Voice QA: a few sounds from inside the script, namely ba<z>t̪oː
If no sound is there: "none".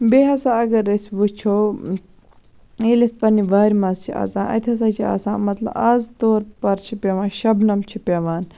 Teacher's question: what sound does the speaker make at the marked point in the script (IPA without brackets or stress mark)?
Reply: z